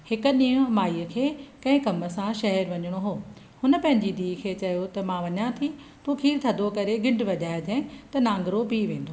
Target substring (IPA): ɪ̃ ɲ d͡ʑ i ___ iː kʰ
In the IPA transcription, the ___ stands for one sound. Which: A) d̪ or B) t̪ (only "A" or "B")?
A